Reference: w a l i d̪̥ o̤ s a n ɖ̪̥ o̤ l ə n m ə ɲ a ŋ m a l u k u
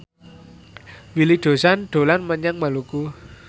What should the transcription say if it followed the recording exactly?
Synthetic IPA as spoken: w i l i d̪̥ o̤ s a n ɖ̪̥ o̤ l a n m ə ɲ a ŋ m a l u k u